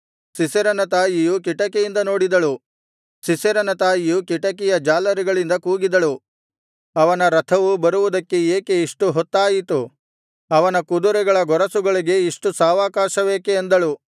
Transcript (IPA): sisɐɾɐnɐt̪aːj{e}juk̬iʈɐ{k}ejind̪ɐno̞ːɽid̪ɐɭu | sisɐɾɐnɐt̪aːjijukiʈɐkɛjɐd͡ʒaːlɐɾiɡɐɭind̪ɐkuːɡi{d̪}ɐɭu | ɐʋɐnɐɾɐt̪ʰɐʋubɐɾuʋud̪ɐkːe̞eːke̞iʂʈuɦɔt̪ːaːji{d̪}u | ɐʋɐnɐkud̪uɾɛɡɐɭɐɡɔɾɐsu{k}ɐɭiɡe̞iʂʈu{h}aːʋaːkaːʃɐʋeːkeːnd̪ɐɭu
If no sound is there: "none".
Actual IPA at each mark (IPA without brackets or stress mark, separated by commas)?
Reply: i, k, d̪, t̪, ɡ, s